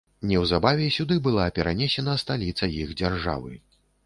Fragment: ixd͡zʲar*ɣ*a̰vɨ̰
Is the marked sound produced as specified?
no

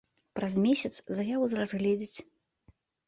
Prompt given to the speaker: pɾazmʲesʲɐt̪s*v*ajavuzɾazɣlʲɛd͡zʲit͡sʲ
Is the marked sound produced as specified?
no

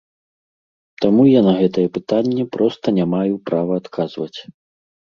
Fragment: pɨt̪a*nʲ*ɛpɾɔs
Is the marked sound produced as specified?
no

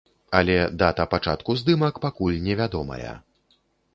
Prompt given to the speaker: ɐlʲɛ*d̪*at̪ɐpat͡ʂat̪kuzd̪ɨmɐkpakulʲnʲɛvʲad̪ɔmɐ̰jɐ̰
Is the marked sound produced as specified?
yes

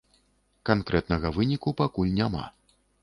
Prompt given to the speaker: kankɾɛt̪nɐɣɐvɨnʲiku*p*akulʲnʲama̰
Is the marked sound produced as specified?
yes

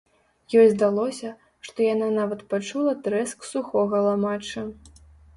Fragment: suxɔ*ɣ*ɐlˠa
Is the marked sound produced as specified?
yes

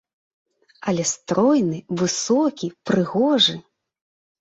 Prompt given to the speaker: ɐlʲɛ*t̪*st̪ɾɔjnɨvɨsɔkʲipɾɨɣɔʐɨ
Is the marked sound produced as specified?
no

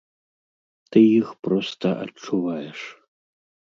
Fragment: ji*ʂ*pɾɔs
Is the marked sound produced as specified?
no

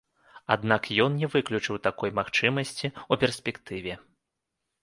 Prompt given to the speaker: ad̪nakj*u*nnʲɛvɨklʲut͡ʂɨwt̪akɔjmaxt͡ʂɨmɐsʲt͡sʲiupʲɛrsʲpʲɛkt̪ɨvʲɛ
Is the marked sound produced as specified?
no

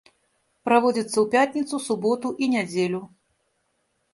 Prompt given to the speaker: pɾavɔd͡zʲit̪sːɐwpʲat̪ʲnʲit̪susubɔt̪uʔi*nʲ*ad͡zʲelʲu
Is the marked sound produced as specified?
yes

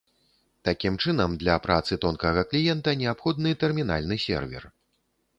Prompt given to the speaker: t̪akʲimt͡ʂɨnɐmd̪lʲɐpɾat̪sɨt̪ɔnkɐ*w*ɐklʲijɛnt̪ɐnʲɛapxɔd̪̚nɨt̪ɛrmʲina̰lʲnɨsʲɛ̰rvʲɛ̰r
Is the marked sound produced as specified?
no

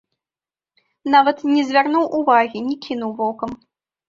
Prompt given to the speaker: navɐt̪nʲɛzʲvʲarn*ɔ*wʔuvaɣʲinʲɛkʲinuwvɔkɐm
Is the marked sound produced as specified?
no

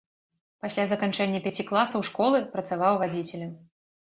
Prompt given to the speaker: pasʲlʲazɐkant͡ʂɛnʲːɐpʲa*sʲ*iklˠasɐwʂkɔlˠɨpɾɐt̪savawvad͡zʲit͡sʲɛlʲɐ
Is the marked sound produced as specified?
no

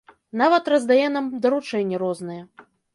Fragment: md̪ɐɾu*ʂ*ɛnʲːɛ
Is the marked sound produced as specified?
no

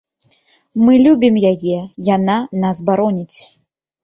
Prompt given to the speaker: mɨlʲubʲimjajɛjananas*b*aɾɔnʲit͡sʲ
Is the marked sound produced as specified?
yes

